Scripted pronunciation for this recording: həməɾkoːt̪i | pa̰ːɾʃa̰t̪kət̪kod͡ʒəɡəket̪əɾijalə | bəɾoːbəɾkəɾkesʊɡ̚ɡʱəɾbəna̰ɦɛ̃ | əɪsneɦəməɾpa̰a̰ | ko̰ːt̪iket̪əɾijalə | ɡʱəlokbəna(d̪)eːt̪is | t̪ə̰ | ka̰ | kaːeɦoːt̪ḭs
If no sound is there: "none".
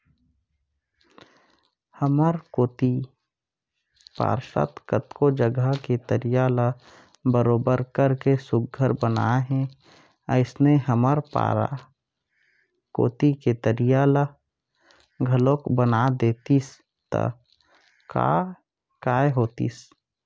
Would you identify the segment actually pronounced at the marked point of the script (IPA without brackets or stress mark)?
d̪